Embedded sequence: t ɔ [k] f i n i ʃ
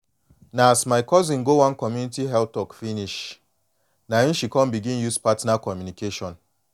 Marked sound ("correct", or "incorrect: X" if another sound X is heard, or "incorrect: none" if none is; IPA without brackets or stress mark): correct